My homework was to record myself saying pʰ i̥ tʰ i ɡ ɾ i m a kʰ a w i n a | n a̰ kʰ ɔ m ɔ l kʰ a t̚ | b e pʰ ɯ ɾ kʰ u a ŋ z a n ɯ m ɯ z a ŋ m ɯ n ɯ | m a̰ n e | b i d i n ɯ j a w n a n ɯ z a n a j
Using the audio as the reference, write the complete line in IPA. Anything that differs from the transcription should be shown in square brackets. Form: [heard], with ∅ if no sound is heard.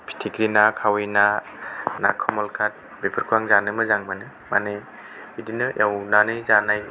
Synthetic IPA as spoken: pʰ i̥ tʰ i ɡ ɾ i [n] a kʰ a w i n a | n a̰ kʰ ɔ m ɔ l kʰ a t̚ | b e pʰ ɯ ɾ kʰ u a ŋ z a n ɯ m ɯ z a ŋ m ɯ n ɯ | m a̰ n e | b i d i n ɯ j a w n a n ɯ z a n a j